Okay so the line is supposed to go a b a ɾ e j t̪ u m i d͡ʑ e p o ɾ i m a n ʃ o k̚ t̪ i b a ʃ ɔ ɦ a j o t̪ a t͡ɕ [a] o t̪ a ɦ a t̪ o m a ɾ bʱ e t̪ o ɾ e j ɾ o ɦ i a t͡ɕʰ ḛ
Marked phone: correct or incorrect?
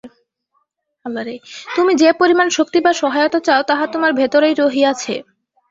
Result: correct